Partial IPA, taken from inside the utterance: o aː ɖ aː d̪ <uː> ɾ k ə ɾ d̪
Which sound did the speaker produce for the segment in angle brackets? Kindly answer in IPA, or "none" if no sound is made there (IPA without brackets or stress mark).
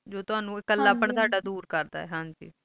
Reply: uː